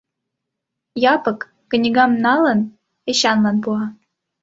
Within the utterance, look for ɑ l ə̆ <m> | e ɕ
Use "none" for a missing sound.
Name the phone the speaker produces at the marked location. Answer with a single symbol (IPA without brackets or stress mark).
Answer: n